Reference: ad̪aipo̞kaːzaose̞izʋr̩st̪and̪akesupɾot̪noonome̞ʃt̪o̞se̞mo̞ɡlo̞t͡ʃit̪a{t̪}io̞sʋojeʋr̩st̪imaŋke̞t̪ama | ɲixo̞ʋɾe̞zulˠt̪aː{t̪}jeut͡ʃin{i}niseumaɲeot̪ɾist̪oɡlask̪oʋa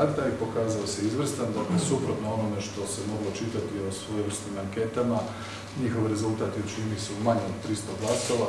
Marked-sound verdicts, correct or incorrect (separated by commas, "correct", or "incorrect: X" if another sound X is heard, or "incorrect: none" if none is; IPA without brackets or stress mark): correct, correct, correct